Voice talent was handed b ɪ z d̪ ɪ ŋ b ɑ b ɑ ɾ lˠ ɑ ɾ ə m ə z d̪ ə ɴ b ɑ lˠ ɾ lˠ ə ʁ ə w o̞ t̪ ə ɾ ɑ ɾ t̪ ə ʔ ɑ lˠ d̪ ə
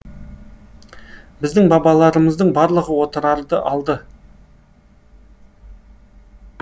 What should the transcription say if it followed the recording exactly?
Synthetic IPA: b ɪ z d̪ ɪ ŋ b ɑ b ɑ lˠ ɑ ɾ ə m ə z d̪ ə ɴ b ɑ ɾ lˠ ə ʁ ə w o̞ t̪ ə ɾ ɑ ɾ d̪ ə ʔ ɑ lˠ d̪ ə